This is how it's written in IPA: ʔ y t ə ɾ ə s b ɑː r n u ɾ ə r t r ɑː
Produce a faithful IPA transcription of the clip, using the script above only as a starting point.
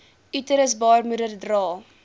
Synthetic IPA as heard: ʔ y t ə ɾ ə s b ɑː r m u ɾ ə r d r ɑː